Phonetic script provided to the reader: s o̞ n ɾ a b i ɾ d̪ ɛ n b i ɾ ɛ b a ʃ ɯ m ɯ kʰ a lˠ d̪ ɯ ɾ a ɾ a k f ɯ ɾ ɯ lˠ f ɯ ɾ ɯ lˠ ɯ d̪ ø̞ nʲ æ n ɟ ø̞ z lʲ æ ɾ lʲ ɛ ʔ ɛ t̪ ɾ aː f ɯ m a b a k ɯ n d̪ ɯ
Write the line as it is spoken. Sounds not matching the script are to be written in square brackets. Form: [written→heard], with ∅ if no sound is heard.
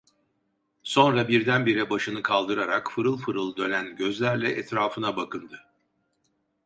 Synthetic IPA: s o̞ n ɾ a b i ɾ d̪ [ɛ→æ] n b i ɾ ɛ b a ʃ ɯ [m→n] ɯ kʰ a lˠ d̪ ɯ ɾ a ɾ a k f ɯ ɾ ɯ lˠ f ɯ ɾ ɯ lˠ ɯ d̪ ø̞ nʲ æ n ɟ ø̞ z lʲ æ ɾ lʲ ɛ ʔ ɛ t̪ ɾ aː f ɯ [m→n] a b a k ɯ n d̪ ɯ